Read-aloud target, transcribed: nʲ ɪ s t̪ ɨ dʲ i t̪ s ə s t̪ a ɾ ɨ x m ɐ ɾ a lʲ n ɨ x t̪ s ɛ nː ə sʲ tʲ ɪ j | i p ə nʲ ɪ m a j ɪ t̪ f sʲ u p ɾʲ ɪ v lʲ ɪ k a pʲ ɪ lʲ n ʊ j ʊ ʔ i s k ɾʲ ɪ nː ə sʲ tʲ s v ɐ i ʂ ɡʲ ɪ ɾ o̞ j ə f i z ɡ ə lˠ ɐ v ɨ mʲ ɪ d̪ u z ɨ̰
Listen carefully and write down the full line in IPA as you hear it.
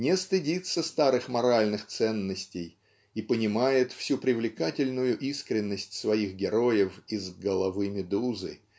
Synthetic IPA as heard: nʲ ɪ s t̪ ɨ dʲ i t̪ s ə s t̪ a ɾ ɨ x m ɐ ɾ a lʲ n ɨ x t̪ s ɛ nː ə sʲ tʲ ɪ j | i p ə nʲ ɪ m a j ɪ t̪ f sʲ u p ɾʲ ɪ v lʲ ɪ k a tʲ ɪ lʲ n ʊ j ʊ ʔ i s k ɾʲ ɪ nː ə sʲ tʲ s v ɐ i x ɡʲ ɪ ɾ o̞ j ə f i z ɡ ə lˠ ɐ v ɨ mʲ ɪ d̪ u z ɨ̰

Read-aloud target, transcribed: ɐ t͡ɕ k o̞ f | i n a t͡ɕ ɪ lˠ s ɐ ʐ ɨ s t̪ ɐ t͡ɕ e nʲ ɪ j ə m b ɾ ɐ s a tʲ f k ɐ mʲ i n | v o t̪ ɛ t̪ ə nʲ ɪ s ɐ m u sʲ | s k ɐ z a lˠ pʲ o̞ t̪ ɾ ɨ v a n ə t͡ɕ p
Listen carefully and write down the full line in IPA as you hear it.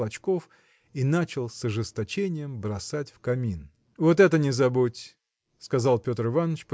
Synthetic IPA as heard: ɐ t͡ɕ k o̞ f | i n a t͡ɕ ɪ lˠ s ɐ ʐ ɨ s t̪ ɐ t͡ɕ e nʲ ɪ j ə m b ɾ ɐ s a tʲ f k ɐ mʲ i n | v o t̪ ɛ t̪ ə nʲ ɪ z ɐ b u tʲ | s k ɐ z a lˠ pʲ o̞ t̪ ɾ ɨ v a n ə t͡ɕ p

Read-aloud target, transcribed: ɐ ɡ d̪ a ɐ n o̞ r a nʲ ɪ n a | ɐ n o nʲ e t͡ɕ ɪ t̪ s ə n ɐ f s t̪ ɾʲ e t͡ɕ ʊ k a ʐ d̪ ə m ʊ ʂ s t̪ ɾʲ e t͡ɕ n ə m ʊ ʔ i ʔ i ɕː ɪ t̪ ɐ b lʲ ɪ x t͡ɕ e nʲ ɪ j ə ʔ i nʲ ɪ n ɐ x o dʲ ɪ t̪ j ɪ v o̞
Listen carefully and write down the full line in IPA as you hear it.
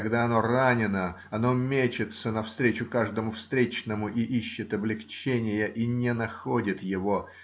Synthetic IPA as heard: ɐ ɡ d̪ a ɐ n o̞ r a nʲ ɪ n ə | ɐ n o mʲ e t͡ɕ ɪ t̪ s ə n ɐ f s t̪ ɾʲ e t͡ɕ ʊ k a ʐ d̪ ə m ʊ f s t̪ ɾʲ e t͡ɕ n ə m ʊ ʔ i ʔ i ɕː ɪ t̪ ɐ b lʲ ɪ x t͡ɕ e nʲ ɪ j ə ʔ i nʲ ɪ n ɐ x o dʲ ɪ t̪ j ɪ v o̞

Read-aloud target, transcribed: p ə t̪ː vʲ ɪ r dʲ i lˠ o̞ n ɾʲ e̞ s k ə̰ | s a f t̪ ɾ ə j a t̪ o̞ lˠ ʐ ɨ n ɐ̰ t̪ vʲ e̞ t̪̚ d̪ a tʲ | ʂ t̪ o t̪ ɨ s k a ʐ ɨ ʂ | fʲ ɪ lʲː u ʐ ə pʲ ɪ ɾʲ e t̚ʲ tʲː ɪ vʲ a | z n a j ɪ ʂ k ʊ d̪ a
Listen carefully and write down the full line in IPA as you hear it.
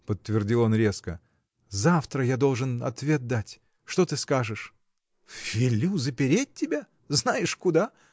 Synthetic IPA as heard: p ə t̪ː vʲ ɪ r dʲ i lˠ o̞ n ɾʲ e̞ s k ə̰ | z a f t̪ ɾ ə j a d̪ o̞ lˠ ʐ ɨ n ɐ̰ t̪ vʲ e̞ t̪̚ d̪ a tʲ | ʂ t̪ o t̪ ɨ s k a ʐ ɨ ʂ | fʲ ɪ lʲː u z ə pʲ ɪ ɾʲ e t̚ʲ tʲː ɪ bʲ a | z n a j ɪ ʂ k ʊ d̪ a

